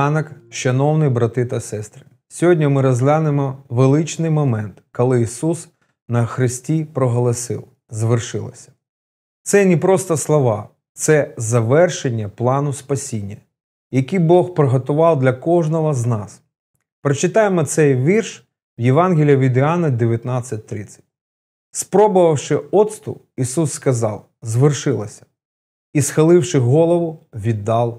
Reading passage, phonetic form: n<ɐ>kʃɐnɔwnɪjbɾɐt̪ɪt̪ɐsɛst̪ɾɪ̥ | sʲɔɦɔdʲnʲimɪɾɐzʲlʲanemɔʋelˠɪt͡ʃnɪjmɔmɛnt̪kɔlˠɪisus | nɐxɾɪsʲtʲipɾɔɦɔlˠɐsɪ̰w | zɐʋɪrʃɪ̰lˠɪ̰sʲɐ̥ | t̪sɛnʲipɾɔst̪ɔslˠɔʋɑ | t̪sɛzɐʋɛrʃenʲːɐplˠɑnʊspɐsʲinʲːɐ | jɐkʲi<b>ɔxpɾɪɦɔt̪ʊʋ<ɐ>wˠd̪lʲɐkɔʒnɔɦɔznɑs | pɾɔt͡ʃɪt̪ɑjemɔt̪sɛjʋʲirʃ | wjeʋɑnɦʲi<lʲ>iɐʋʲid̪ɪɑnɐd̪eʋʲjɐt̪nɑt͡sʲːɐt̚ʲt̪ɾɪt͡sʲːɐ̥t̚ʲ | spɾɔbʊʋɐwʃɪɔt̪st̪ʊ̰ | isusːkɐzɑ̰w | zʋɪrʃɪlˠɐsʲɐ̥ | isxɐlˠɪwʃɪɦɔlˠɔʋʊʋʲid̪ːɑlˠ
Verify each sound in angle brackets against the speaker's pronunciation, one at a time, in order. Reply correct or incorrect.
correct, correct, incorrect, correct

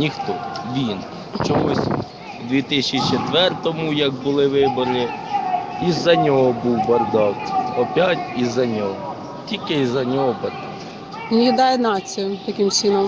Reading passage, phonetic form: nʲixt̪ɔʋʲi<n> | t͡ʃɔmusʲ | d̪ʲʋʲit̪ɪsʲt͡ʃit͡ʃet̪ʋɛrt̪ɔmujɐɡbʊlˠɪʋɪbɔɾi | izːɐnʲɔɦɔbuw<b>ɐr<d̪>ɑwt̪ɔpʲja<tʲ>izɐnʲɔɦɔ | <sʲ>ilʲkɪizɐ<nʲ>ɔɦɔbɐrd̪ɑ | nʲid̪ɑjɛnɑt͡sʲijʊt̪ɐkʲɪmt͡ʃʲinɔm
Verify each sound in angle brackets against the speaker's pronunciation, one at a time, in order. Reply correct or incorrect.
correct, correct, correct, correct, incorrect, correct

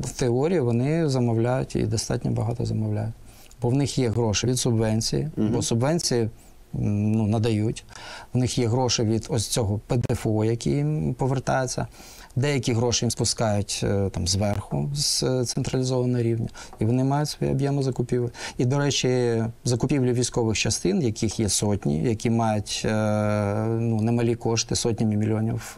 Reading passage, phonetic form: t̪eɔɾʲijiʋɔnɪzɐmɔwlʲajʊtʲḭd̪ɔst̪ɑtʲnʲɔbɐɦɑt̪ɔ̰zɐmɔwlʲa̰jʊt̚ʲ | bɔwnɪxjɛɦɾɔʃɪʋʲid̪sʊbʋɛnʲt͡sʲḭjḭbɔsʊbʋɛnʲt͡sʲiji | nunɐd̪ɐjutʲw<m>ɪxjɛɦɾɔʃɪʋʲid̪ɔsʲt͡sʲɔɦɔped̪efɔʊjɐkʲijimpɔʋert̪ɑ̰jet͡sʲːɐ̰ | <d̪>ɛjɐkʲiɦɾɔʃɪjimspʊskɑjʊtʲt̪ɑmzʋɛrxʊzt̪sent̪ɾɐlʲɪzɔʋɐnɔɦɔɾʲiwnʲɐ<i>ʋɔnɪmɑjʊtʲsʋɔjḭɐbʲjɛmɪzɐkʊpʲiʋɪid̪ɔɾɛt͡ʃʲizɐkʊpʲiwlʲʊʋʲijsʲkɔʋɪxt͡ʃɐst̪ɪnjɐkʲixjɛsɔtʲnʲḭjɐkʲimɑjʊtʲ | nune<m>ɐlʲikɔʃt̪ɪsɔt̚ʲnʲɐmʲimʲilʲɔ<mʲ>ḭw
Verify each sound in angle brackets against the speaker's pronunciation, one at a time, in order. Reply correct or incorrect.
incorrect, correct, correct, correct, incorrect

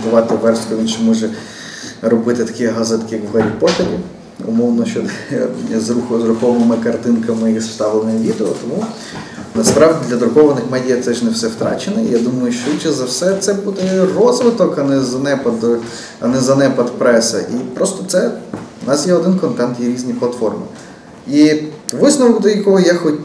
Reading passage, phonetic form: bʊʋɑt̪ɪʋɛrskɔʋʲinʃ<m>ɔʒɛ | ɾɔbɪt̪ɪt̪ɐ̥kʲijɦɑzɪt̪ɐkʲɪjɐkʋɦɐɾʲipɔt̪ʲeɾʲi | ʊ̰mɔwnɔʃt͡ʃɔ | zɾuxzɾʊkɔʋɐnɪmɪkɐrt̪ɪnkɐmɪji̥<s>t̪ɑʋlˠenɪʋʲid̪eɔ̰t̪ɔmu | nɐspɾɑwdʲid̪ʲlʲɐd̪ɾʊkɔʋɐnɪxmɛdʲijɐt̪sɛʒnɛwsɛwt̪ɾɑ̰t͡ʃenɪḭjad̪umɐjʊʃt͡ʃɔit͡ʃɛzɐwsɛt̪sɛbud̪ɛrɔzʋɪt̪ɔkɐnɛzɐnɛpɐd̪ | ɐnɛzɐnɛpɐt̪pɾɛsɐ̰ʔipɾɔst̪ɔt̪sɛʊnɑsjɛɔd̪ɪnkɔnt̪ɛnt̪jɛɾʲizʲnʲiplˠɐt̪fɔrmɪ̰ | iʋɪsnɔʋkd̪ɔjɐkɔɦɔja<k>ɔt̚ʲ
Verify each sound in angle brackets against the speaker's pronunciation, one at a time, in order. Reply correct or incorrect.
correct, correct, incorrect

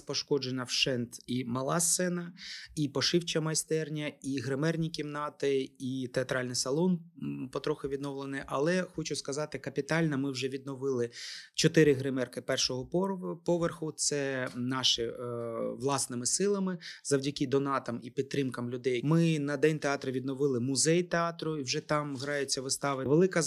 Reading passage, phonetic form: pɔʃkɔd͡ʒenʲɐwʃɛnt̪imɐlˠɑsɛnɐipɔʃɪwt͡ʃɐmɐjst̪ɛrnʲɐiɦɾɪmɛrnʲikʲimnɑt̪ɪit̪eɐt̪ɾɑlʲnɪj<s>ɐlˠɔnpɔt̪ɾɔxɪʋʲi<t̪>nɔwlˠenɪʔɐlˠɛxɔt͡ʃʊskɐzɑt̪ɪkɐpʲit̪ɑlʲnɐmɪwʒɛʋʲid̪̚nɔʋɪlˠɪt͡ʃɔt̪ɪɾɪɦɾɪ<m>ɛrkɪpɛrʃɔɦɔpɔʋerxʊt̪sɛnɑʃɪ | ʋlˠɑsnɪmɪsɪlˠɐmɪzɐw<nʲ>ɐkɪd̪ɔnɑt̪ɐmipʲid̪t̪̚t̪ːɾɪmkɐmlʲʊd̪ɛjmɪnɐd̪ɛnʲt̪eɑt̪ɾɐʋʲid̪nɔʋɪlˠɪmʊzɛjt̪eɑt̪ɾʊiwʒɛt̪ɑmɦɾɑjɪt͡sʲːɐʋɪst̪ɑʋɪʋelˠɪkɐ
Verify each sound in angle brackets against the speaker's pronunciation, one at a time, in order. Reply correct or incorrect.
correct, incorrect, correct, incorrect

